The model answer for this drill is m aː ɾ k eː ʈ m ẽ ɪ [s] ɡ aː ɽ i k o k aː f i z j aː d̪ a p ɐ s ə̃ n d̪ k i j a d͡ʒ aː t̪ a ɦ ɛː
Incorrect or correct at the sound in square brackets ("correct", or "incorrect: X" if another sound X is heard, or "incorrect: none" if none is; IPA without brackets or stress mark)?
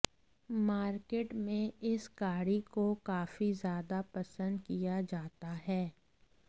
correct